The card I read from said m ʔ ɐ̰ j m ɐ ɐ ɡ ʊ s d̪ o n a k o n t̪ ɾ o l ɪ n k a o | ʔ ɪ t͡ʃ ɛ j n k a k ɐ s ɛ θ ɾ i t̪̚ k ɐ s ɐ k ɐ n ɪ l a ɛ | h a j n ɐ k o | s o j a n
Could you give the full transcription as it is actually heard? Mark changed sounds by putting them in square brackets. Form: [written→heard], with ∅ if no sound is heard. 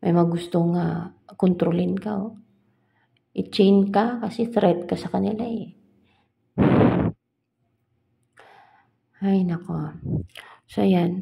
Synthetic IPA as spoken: m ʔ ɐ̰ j m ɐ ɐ ɡ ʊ s [d̪→t̪] o [n→ŋ] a k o n t̪ ɾ o l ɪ n k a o | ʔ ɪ t͡ʃ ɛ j n k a k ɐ s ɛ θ ɾ [i→ɛ] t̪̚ k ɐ s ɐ k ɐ n ɪ l a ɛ | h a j n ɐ k o | s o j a n